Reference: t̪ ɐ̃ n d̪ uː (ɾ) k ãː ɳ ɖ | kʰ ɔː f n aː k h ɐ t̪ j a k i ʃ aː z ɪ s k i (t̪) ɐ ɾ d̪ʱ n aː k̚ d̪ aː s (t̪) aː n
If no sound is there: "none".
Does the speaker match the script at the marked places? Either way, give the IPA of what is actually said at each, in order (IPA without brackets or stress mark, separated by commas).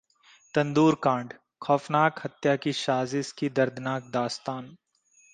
ɾ, d̪, t̪